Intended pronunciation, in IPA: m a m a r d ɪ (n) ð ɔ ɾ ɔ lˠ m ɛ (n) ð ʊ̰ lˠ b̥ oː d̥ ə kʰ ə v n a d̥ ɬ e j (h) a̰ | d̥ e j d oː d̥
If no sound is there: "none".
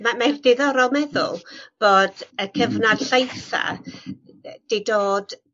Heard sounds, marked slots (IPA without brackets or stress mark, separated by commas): none, none, θ